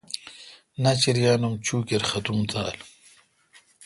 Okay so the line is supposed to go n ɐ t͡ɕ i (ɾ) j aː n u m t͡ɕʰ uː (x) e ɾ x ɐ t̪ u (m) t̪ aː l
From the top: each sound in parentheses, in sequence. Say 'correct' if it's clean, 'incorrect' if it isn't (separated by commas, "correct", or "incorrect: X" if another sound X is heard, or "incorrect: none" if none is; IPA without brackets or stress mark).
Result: correct, incorrect: k, correct